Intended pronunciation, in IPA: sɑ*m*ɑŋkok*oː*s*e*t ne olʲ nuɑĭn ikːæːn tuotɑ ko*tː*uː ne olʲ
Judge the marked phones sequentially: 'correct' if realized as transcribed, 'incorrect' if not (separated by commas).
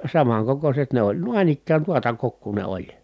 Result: correct, incorrect, correct, incorrect